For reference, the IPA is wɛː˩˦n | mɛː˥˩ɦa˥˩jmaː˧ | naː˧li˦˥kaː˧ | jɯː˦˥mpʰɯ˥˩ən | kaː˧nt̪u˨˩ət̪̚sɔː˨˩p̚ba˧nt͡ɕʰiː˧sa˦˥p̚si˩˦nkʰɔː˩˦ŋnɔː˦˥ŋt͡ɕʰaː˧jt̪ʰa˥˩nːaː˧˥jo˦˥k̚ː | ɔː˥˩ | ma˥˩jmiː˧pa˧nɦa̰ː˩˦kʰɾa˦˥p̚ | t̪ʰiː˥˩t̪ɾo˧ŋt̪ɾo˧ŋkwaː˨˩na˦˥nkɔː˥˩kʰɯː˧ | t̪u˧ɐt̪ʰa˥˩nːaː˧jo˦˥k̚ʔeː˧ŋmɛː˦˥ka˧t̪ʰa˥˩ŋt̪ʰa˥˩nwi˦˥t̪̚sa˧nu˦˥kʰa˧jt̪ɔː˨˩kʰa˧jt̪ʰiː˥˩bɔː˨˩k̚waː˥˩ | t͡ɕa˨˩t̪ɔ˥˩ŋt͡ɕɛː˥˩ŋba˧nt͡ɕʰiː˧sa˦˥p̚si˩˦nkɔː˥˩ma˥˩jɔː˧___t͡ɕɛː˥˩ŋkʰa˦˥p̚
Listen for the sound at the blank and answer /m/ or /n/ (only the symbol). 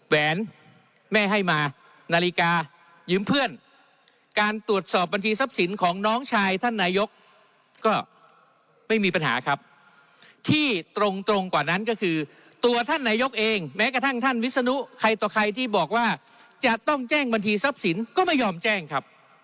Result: m